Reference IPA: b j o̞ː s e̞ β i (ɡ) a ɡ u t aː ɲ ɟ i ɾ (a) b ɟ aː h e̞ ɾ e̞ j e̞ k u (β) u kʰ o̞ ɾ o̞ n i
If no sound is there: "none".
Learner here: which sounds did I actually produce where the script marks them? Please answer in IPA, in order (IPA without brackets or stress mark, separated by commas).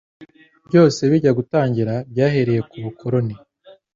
ɟ, a, β